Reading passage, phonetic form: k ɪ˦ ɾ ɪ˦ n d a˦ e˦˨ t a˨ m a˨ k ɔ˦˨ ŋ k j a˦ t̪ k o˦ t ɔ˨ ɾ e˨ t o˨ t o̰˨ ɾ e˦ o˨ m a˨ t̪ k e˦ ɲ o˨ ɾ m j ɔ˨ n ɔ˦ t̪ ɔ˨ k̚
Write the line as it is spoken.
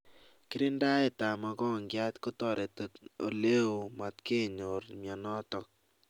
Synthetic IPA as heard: k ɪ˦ ɾ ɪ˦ n d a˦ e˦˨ t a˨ m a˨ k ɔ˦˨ ŋ ɡ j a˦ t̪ k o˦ t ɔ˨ ɾ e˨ t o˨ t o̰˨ l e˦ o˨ m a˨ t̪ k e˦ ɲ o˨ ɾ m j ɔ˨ n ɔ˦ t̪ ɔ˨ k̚